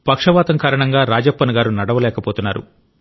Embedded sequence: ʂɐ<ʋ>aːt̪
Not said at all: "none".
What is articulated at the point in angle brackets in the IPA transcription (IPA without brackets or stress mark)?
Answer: ʋ